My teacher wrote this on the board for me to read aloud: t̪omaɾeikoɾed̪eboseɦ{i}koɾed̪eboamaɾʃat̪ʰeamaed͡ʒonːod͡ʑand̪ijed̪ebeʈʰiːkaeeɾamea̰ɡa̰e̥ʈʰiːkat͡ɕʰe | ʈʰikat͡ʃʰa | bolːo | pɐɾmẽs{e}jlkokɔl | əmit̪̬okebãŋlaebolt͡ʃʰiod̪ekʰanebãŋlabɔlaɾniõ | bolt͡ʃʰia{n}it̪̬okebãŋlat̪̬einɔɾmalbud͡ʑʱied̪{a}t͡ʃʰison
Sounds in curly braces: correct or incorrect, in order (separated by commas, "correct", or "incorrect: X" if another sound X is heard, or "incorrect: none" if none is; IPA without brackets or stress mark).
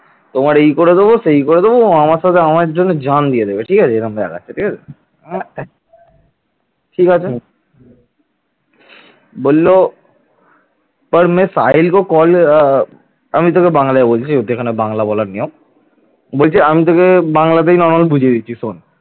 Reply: correct, incorrect: a, incorrect: m, incorrect: i